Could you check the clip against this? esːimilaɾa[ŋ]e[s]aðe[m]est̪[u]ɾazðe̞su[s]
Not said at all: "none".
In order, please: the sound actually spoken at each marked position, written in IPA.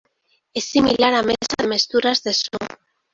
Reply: m, s, m, u, none

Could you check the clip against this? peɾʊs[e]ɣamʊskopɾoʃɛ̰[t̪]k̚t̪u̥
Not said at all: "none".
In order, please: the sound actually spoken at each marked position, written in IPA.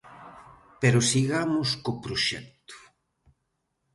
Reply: i, none

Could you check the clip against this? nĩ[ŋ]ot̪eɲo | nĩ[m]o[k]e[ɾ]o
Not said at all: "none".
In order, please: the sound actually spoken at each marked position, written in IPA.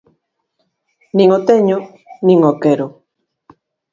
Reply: ŋ, ŋ, k, ɾ

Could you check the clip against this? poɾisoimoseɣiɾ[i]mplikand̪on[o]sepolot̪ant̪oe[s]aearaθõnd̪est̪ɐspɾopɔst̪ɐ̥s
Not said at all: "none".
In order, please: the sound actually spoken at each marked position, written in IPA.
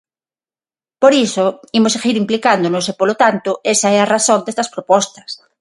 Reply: i, o, s

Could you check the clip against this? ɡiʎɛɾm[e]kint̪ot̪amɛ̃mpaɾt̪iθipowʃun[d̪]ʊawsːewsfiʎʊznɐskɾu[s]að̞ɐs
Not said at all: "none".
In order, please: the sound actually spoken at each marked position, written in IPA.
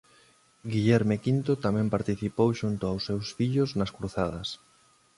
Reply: e, t̪, θ

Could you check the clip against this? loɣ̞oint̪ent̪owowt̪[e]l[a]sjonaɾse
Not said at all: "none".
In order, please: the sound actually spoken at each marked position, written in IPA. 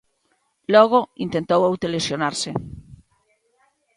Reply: e, e

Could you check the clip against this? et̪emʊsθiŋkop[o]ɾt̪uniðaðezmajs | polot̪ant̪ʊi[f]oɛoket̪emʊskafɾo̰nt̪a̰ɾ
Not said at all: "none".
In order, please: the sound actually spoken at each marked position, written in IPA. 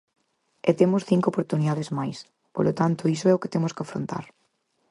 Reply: o, s

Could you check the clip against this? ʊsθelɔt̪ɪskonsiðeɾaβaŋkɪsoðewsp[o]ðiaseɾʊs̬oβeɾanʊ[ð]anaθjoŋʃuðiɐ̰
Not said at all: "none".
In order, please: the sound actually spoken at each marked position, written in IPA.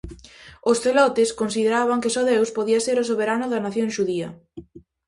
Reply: o, ð

